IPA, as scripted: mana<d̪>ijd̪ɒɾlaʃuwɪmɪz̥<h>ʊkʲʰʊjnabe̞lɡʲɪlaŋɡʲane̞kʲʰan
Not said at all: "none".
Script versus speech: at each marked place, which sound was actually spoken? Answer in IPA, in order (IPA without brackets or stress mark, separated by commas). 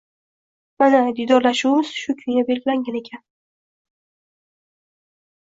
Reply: d̪, ʃ